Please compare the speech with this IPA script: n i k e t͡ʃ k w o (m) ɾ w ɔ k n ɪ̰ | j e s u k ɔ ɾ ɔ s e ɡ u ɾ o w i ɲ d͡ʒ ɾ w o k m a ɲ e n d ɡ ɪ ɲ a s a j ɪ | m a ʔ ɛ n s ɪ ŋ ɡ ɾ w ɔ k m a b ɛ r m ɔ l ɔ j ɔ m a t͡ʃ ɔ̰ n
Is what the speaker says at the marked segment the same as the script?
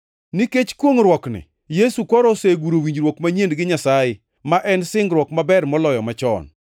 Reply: no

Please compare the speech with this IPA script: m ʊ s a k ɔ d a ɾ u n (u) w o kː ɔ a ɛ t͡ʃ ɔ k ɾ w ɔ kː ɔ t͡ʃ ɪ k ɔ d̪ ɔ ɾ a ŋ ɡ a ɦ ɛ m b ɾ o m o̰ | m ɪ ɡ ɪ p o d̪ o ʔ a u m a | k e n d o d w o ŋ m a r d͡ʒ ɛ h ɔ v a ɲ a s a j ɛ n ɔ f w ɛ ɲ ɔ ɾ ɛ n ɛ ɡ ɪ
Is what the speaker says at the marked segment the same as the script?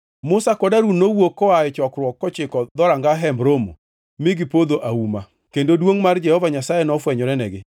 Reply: no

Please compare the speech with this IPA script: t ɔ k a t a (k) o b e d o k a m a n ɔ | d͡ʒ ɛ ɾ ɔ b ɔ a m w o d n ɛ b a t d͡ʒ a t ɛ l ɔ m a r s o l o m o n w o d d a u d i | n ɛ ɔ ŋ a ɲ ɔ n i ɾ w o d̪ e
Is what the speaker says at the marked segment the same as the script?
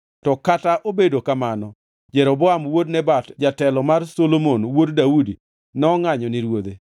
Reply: no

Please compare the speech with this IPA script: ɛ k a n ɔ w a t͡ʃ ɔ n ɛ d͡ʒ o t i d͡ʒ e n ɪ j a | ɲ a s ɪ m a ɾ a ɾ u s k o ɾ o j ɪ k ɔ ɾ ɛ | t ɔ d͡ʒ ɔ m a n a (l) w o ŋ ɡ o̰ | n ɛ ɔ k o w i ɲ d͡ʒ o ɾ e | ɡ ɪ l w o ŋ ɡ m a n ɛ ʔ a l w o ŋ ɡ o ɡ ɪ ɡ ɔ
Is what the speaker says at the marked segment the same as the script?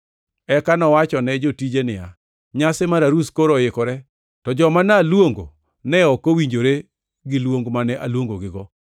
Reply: yes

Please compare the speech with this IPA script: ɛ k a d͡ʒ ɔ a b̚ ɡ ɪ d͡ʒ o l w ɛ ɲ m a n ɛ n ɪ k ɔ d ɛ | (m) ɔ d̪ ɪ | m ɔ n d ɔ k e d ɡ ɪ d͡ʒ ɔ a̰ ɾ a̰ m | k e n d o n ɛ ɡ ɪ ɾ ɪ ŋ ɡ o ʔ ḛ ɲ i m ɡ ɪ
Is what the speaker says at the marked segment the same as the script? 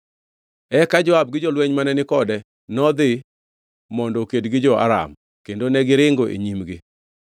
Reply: no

